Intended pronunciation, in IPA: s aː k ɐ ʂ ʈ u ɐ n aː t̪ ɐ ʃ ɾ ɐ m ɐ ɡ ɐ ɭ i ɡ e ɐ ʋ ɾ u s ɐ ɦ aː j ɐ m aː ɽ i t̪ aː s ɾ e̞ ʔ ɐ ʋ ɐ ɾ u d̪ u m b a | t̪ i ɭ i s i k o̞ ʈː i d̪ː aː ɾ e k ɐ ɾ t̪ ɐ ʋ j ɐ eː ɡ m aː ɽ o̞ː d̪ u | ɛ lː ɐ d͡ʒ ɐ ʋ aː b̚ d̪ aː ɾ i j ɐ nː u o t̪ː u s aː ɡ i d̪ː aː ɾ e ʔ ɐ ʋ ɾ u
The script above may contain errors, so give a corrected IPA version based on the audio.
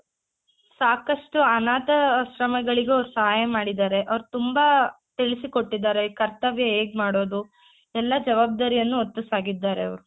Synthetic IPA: s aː k ɐ ʂ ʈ u ɐ n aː t̪ ɐ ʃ ɾ ɐ m ɐ ɡ ɐ ɭ i ɡ e ɐ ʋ ɾ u s ɐ ɦ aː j ɐ m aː ɽ i d̪ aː ɾ e̞ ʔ ɐ ʋ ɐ ɾ u t̪ u m b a | t̪ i ɭ i s i k o̞ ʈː i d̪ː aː ɾ e k ɐ ɾ t̪ ɐ ʋ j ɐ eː ɡ m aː ɽ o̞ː d̪ u | ɛ lː ɐ d͡ʒ ɐ ʋ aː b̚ d̪ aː ɾ i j ɐ nː u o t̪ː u s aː ɡ i d̪ː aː ɾ e ɐ ʋ ɾ u